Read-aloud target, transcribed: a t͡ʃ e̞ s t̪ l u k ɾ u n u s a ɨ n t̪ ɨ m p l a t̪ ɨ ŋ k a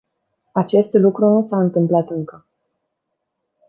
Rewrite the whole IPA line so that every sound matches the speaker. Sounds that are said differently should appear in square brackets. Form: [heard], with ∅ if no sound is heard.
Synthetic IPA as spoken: a t͡ʃ e̞ s t̪ l u k ɾ u n u s a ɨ n t̪ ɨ m p l a t̪ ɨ ŋ k [ə]